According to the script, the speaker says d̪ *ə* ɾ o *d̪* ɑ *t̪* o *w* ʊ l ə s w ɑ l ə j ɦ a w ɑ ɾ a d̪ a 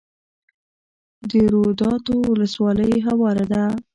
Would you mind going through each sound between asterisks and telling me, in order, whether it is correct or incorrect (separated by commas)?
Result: correct, correct, correct, correct